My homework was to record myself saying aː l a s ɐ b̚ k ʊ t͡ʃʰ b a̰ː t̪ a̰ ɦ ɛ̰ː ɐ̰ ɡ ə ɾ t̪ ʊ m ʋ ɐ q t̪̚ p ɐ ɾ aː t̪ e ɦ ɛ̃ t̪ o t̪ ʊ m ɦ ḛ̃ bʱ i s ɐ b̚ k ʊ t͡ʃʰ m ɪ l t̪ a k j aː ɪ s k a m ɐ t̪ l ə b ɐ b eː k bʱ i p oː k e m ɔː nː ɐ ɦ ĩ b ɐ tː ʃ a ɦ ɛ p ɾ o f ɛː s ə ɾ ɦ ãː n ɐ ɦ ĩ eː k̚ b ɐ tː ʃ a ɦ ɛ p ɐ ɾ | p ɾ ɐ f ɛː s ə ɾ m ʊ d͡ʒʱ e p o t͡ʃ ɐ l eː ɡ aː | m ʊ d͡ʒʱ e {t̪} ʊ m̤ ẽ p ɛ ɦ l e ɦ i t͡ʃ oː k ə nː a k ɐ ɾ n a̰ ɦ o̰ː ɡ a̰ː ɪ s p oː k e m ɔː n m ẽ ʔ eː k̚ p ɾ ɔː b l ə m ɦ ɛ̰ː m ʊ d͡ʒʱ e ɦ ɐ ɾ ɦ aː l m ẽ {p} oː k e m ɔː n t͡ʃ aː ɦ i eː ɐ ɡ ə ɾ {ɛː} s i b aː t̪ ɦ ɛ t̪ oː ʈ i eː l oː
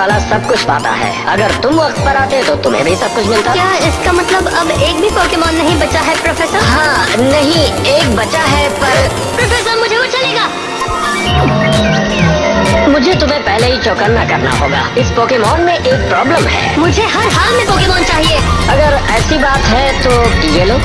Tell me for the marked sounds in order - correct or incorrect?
correct, correct, correct

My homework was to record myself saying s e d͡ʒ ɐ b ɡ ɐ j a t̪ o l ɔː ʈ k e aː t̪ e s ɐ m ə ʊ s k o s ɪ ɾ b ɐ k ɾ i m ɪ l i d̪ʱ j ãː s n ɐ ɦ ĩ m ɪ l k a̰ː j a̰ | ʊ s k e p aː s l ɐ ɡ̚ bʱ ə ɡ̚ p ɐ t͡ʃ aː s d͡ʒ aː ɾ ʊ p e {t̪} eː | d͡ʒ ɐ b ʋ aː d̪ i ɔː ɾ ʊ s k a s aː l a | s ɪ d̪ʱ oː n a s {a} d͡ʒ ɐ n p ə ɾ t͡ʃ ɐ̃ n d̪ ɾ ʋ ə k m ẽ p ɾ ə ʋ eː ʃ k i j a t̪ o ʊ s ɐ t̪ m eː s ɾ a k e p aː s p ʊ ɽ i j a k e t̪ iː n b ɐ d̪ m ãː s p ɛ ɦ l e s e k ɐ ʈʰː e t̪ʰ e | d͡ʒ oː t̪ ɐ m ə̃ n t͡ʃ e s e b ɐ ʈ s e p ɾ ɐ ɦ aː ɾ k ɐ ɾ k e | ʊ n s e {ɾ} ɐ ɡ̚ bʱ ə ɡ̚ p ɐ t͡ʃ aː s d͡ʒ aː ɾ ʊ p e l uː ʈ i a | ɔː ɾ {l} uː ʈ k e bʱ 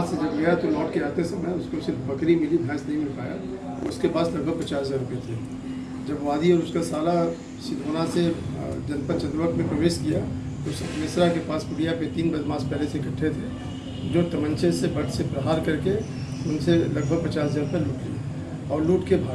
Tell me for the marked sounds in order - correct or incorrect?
incorrect: t̪ʰ, incorrect: e, incorrect: l, correct

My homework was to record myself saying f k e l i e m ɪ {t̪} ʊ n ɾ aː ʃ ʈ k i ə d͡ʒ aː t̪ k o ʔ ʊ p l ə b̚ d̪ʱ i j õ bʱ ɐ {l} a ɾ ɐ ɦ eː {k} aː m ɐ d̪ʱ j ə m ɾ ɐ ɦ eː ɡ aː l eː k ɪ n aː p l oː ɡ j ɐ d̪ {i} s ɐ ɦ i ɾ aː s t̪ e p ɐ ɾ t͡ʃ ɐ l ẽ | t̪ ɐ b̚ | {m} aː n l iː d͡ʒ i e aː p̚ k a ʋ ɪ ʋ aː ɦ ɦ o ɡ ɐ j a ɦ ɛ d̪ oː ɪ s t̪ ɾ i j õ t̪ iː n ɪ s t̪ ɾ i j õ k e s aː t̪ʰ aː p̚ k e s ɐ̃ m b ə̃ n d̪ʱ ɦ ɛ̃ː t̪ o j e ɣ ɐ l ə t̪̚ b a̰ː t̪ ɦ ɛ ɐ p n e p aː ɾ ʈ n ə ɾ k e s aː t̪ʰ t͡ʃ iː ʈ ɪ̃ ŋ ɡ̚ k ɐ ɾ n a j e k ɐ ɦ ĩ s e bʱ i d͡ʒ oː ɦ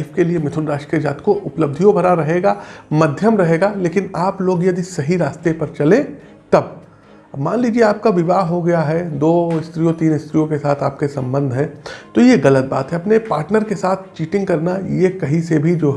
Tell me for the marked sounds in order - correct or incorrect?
incorrect: t̪ʰ, incorrect: ɾ, incorrect: ɡ, correct, correct

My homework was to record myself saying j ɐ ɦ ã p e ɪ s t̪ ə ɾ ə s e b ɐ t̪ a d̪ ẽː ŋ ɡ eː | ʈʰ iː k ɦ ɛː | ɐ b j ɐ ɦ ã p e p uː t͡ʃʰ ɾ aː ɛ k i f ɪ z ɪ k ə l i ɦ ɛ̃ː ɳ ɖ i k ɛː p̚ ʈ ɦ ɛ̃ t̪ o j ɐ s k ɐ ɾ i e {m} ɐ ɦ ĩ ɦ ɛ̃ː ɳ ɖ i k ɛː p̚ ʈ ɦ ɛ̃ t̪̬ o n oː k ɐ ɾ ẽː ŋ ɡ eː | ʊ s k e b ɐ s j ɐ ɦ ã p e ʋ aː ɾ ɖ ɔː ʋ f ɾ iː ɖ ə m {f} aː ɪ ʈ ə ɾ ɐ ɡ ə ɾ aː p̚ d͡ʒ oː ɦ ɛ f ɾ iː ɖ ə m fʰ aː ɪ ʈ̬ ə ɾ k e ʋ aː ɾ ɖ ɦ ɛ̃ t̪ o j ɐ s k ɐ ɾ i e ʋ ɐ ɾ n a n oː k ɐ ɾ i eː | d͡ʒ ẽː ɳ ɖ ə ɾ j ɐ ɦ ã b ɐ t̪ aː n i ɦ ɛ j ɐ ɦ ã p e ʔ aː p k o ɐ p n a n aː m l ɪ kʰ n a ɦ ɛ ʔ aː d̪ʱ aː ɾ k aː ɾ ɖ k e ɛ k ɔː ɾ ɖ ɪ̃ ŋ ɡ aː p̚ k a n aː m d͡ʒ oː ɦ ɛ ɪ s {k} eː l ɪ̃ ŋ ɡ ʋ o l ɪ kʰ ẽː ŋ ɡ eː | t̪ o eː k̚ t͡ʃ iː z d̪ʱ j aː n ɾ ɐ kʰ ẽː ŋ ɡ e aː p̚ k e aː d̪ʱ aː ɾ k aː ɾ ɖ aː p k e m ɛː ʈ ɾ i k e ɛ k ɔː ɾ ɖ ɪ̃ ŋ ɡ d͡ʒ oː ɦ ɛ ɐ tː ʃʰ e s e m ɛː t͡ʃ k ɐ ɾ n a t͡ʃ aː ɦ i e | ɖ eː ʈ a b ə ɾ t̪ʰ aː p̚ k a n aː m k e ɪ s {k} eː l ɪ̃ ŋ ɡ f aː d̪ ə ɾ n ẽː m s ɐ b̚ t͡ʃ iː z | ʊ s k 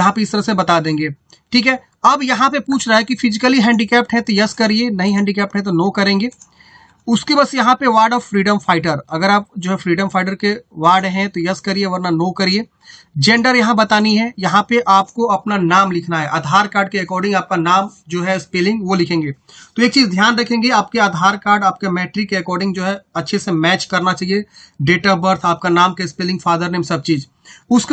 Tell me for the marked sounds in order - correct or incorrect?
incorrect: n, correct, incorrect: p, incorrect: p

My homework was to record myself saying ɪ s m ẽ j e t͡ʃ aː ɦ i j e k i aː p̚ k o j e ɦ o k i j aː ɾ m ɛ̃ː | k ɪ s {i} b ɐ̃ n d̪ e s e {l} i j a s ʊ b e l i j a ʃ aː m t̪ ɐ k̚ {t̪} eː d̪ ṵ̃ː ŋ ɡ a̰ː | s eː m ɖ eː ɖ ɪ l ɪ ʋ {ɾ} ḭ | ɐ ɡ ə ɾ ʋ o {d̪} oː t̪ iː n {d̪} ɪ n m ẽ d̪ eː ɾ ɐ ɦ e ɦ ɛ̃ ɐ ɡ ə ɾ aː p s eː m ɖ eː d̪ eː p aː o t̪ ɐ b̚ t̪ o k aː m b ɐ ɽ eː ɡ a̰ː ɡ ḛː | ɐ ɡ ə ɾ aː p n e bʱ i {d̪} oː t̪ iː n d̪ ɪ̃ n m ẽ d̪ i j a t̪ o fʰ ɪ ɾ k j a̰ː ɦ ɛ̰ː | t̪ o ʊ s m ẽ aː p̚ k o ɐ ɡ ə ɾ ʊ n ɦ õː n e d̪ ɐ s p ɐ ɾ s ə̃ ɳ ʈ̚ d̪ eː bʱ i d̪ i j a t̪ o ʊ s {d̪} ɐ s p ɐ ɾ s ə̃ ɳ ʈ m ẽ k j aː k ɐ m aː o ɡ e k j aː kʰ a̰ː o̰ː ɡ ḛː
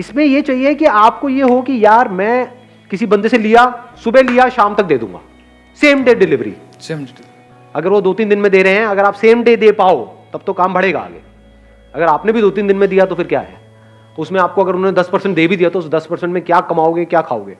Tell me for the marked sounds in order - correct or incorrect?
correct, correct, incorrect: d̪, correct, correct, correct, correct, correct

